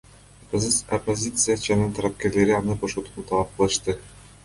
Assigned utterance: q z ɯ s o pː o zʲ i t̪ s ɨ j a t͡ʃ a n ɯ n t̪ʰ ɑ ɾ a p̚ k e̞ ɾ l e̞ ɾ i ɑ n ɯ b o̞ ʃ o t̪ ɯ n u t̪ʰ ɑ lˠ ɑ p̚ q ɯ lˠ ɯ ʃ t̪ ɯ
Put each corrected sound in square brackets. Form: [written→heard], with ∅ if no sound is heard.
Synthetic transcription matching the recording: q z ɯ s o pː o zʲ i t̪ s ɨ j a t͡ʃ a n ɯ n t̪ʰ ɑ ɾ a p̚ k e̞ ɾ l e̞ ɾ i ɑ n ɯ b o̞ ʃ o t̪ [ɯ→u] n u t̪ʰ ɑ lˠ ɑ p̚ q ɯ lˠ ɯ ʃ t̪ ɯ